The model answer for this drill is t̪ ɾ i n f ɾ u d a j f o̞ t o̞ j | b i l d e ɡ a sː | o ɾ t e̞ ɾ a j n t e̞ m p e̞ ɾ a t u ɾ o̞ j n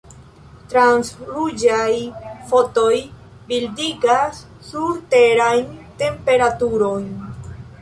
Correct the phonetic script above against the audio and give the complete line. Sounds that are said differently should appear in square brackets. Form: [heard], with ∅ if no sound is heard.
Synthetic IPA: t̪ ɾ [a] n [s] ɾ u [d͡ʒ] a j f o̞ t o̞ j | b i l d [i] ɡ a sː | [u] ɾ t e̞ ɾ a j n t e̞ m p e̞ ɾ a t u ɾ o̞ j n